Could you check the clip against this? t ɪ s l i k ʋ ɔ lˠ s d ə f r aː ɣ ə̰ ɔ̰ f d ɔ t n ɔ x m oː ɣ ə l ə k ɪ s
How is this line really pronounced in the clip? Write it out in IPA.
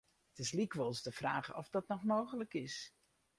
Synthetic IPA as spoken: t ɪ s l i k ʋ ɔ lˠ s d ə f r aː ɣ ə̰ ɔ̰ f d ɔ t n ɔ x m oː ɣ ə l ə k ɪ s